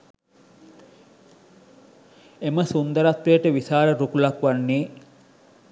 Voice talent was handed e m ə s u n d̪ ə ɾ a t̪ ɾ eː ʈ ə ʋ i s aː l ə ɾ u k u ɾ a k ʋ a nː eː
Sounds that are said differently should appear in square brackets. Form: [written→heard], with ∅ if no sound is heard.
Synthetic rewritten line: e m ə s u n d̪ ə ɾ a t̪ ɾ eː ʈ ə ʋ i s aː [l→ɾ] ə ɾ u k u [ɾ→l] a k ʋ a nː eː